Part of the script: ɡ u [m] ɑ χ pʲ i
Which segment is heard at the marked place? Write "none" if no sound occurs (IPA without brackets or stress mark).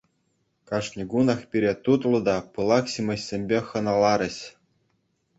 n